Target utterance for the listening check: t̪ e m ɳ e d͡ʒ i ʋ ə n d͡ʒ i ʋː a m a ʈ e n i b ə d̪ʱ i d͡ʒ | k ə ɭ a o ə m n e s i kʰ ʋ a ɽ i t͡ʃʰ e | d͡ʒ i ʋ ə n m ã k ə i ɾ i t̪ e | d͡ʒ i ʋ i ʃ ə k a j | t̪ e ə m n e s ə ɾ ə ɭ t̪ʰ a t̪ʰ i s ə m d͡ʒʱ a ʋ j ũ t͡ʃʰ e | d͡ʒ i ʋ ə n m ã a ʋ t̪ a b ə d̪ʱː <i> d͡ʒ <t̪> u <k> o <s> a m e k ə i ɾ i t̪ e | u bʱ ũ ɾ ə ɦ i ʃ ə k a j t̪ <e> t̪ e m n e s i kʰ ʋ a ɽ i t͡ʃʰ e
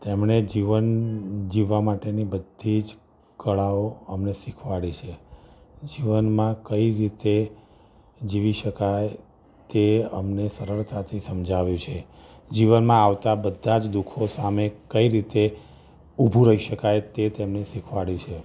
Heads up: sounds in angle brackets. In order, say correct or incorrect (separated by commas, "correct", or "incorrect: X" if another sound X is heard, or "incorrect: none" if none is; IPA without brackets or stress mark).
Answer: incorrect: a, incorrect: d̪, incorrect: kʰ, correct, correct